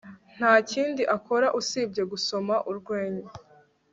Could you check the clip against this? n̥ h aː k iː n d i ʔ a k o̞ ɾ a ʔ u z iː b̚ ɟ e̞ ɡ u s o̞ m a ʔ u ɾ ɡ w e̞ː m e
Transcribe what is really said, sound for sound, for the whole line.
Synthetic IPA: n̥ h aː c iː n d i ʔ a k o̞ ɾ a ʔ u s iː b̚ ɟ e̞ ɡ u s o̞ m a ʔ u ɾ ɡ w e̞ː ɲ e